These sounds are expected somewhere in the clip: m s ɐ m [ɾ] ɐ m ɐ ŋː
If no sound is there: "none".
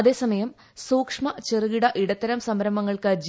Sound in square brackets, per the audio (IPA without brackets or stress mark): ɾ